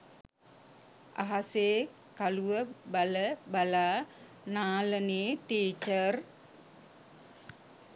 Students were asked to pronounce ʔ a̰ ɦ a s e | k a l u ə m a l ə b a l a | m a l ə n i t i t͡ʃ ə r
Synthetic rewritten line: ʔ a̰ ɦ a s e | k a l u ə b a l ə b a l a | n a l ə n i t i t͡ʃ ə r